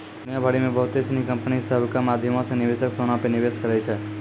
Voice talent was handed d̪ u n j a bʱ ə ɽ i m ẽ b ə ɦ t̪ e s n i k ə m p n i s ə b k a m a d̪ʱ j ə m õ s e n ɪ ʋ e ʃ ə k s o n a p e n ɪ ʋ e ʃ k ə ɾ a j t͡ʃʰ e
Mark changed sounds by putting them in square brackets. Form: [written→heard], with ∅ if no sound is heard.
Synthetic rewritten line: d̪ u n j a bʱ [ə→a] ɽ i m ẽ b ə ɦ t̪ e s n i k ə m p n i s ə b k a m a d̪ʱ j ə m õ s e n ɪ ʋ e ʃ ə k s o n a p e n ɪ ʋ e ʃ k ə ɾ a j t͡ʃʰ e